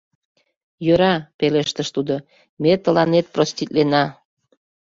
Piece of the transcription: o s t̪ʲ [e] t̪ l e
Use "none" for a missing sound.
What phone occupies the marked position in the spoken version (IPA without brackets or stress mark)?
i